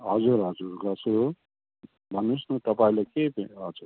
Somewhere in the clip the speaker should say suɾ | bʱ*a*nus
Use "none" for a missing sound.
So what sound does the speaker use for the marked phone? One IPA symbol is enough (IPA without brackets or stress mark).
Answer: ʌ